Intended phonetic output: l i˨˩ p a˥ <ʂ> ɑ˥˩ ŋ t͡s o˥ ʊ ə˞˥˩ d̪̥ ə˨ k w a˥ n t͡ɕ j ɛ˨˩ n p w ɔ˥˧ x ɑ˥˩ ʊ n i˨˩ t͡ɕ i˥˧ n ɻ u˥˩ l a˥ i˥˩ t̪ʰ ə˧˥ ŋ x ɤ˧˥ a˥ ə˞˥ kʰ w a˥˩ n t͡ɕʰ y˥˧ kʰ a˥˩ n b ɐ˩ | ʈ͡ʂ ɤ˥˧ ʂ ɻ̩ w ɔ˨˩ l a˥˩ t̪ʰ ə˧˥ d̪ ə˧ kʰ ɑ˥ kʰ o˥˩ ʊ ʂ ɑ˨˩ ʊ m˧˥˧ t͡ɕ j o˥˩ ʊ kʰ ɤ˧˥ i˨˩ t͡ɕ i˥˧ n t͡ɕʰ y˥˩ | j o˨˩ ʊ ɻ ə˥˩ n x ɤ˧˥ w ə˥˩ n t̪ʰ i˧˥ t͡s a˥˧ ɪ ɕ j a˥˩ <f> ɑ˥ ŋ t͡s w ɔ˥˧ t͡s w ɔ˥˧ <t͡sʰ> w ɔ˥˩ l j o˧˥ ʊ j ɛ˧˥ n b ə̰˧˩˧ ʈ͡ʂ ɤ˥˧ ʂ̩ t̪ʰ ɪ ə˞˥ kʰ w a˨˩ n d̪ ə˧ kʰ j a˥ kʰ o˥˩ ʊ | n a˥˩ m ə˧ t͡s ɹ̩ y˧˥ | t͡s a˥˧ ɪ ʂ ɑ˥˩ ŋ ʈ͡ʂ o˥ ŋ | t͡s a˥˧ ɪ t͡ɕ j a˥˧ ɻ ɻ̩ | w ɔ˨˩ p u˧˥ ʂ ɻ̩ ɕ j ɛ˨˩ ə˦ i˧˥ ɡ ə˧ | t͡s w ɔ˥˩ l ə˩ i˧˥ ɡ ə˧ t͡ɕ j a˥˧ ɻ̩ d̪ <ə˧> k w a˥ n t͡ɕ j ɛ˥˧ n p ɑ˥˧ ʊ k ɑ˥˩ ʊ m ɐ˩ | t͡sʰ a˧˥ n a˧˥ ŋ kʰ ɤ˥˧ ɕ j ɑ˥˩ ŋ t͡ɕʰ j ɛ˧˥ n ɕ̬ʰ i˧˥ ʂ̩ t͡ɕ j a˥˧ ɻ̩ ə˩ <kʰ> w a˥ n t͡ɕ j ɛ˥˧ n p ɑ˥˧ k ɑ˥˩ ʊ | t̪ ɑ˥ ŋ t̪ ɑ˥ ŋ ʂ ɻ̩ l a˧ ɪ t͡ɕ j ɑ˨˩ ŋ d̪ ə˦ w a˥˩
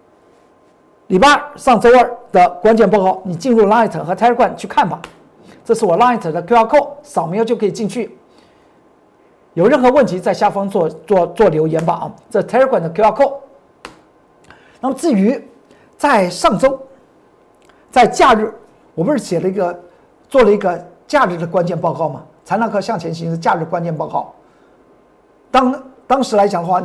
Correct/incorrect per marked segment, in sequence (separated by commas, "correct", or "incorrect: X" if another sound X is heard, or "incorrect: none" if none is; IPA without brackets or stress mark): correct, correct, incorrect: t͡s, incorrect: ə˩, incorrect: k